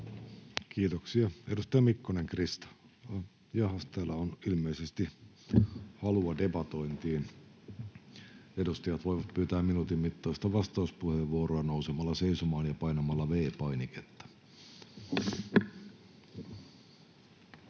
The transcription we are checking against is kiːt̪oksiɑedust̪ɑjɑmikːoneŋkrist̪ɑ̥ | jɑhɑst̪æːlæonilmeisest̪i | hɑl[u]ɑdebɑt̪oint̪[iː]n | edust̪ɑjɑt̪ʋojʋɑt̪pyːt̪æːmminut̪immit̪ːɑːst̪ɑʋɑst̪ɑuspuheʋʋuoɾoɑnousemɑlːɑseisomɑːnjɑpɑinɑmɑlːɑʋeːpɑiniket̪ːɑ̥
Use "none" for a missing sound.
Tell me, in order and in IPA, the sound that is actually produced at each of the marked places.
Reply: u, iː

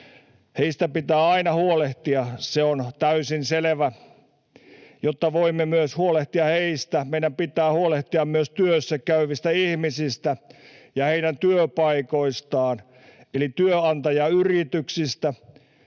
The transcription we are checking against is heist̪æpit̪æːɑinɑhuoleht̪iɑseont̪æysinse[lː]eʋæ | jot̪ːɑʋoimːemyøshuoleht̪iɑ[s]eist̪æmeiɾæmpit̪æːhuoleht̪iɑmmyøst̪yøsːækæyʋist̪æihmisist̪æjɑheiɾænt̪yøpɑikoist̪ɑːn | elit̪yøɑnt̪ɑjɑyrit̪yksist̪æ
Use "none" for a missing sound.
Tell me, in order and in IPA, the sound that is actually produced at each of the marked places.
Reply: l, h

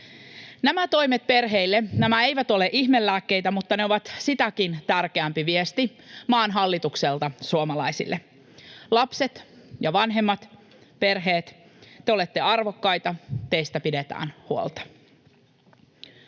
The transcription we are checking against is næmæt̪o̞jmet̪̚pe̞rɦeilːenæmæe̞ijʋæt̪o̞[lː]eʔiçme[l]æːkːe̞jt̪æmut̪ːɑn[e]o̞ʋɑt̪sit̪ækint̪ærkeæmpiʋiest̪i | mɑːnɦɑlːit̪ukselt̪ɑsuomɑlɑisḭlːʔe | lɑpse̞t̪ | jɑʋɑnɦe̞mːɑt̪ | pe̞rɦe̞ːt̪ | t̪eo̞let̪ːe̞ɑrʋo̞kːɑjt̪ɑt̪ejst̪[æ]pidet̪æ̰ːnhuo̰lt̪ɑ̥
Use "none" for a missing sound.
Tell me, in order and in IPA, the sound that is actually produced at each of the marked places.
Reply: l, lː, e, æ

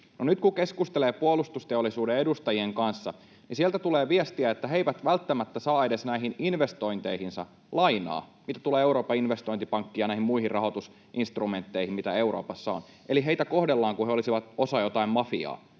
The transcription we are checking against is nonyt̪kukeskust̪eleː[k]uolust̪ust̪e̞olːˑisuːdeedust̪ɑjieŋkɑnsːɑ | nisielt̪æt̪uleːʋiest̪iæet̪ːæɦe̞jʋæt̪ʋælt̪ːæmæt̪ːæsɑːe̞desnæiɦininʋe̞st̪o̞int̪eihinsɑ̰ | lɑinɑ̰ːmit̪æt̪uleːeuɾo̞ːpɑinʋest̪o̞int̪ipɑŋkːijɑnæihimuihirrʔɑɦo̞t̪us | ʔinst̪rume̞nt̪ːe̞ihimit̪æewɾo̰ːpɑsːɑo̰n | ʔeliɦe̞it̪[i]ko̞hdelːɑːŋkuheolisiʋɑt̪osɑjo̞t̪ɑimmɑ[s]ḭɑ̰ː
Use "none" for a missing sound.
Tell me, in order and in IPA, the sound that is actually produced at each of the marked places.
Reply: p, æ, f

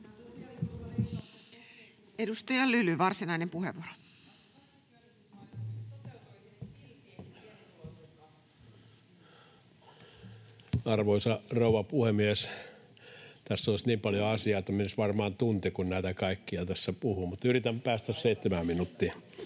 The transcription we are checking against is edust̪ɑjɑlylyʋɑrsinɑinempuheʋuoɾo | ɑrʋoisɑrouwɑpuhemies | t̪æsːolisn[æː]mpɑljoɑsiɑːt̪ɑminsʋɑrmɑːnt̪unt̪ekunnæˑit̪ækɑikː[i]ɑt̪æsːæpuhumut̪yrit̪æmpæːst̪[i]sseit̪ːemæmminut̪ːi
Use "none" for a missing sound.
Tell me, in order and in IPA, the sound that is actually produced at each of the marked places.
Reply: iː, i, æ

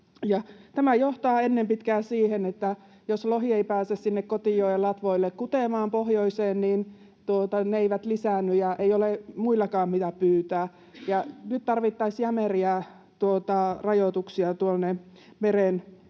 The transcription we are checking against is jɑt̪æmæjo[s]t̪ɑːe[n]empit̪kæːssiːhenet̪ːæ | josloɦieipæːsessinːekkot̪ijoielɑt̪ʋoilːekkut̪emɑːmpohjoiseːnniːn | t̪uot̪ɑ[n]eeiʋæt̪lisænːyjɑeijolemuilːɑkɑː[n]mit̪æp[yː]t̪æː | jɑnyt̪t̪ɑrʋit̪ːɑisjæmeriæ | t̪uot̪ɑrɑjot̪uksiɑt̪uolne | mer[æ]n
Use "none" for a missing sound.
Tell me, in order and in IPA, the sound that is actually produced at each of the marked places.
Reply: h, nː, n, m, yː, e

